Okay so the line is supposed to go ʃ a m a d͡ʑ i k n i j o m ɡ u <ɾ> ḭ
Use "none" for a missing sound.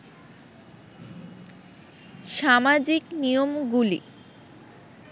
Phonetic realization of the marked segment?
l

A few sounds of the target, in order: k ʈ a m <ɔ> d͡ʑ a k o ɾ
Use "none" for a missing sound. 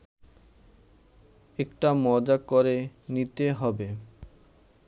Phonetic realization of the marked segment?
ɔ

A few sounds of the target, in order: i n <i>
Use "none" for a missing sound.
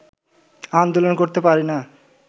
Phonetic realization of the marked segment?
a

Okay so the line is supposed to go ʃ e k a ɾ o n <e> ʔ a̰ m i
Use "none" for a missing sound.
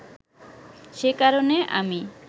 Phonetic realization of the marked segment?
e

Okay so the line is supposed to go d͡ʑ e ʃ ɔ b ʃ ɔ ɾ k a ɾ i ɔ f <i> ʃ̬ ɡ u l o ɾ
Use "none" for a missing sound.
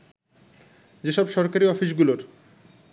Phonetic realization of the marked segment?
i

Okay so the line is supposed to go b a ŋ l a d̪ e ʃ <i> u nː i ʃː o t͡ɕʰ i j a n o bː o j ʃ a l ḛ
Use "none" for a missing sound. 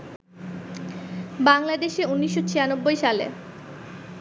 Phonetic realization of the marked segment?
e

